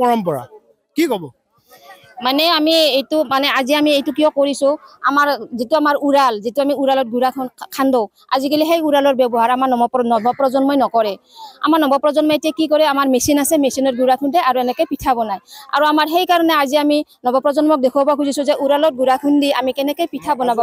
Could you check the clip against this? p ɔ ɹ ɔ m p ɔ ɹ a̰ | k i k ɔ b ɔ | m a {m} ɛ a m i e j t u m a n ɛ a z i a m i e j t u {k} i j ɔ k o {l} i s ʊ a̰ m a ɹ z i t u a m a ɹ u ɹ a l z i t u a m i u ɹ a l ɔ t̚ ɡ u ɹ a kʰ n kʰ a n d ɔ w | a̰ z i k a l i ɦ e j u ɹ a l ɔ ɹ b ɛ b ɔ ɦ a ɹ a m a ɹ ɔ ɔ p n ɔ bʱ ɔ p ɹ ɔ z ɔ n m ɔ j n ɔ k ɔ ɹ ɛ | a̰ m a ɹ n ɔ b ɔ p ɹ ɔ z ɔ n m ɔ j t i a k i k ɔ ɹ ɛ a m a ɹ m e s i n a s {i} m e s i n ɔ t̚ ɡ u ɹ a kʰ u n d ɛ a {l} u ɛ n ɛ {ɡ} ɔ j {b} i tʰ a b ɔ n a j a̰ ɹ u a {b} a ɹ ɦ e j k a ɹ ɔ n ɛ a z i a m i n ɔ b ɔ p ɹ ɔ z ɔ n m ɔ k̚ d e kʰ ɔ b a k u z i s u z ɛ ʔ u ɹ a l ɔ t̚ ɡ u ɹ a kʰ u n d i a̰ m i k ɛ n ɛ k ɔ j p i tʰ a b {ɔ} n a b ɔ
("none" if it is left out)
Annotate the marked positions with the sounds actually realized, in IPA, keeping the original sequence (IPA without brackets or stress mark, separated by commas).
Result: n, k, ɹ, ɛ, ɹ, k, p, m, ɔ